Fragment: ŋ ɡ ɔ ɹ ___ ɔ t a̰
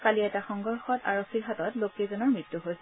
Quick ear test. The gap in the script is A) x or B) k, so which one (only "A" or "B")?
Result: A